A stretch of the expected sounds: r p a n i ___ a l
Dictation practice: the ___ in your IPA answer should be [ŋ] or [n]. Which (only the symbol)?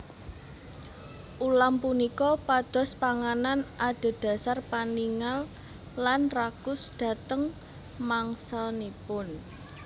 ŋ